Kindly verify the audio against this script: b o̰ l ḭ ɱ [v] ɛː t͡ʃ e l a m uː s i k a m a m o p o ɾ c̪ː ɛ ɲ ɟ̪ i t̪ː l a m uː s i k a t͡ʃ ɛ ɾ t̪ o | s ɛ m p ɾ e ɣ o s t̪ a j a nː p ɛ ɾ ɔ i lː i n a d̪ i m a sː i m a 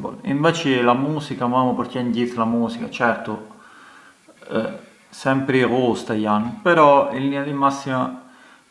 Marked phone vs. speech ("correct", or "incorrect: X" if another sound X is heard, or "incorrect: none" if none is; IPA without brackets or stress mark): correct